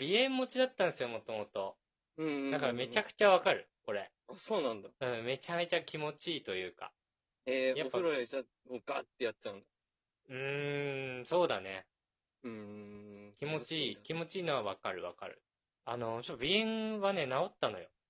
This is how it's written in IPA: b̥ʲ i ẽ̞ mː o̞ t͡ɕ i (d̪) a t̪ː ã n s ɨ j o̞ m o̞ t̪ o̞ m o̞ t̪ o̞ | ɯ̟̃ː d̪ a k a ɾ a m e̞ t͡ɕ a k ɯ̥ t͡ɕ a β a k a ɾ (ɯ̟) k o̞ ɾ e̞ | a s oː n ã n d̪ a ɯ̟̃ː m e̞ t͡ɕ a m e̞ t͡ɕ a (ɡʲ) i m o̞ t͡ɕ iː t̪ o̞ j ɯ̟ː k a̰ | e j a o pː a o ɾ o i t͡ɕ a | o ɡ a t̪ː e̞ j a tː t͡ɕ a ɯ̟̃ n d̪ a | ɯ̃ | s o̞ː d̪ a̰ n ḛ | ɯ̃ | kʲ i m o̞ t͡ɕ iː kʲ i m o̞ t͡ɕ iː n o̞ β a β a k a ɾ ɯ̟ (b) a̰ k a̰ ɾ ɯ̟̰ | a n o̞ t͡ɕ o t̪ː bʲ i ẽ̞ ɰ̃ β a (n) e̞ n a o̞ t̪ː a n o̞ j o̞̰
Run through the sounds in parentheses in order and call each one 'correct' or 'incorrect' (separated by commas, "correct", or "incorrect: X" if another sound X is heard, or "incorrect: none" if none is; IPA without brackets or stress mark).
correct, correct, incorrect: kʲ, incorrect: β, correct